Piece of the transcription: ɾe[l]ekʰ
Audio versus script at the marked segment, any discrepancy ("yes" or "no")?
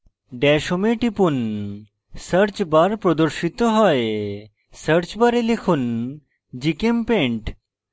no